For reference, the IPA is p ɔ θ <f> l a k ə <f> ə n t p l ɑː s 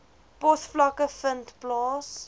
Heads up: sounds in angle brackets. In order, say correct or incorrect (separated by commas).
correct, correct